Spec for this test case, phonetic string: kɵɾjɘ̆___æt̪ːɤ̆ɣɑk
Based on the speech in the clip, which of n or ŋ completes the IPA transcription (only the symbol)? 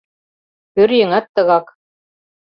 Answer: ŋ